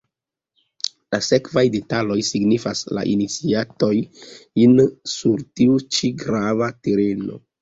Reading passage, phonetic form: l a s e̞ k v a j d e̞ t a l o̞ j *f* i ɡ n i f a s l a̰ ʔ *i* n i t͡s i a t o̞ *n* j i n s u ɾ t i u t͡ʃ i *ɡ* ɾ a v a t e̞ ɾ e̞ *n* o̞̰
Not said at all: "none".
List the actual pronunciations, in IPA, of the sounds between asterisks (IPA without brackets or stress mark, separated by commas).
s, i, none, ɡ, n